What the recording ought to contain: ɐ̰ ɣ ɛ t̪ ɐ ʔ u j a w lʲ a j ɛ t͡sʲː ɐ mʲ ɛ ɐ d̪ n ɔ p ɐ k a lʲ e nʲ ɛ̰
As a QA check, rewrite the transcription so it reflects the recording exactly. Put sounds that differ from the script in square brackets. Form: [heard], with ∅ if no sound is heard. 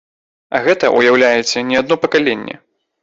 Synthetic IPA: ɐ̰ ɣ ɛ t̪ ɐ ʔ u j a w lʲ a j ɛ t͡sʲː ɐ [nʲ] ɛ [a] d̪ n ɔ p ɐ k a lʲ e [nʲː] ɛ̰